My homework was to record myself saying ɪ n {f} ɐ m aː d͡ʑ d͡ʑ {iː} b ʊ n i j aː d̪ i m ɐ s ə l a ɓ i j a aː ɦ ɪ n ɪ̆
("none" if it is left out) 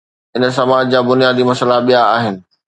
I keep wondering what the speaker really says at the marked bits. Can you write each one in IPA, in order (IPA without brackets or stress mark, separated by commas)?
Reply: s, aː